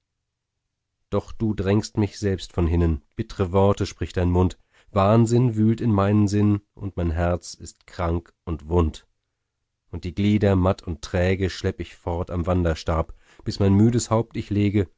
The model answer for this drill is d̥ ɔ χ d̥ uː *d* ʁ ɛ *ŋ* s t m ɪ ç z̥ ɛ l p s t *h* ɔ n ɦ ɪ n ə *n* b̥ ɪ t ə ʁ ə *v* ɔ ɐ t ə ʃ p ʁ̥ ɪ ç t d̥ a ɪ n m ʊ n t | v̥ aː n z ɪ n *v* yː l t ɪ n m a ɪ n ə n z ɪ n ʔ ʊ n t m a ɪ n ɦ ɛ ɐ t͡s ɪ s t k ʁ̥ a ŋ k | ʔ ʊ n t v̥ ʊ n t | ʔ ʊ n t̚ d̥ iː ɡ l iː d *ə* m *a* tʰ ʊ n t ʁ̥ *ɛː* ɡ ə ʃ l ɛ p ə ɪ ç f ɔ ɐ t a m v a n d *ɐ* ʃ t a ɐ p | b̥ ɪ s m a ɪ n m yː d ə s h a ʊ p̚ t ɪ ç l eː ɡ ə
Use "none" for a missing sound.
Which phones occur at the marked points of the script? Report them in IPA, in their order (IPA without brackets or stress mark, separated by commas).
d, ŋ, f, n, v, v, ɐ, a, ɛː, ɐ